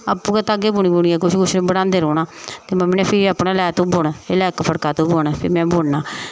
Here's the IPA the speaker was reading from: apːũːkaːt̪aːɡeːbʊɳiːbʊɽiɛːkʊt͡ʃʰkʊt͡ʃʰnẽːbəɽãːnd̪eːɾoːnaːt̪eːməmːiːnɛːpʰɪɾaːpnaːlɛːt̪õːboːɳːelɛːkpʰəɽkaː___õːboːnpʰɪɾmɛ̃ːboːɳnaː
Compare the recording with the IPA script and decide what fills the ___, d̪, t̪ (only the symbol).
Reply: t̪